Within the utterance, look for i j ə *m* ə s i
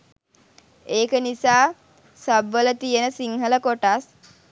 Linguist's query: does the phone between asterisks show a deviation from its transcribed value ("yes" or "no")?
yes